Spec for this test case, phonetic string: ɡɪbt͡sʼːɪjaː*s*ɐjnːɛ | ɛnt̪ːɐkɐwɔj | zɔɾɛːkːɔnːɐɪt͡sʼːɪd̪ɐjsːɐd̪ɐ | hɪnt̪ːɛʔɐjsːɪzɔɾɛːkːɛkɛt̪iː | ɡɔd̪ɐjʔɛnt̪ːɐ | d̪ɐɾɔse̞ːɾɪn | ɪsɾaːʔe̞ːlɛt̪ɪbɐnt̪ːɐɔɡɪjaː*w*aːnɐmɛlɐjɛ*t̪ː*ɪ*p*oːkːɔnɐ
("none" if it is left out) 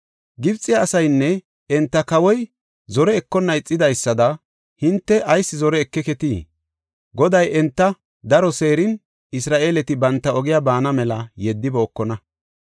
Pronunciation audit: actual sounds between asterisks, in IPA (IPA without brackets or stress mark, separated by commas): s, b, d̪ː, b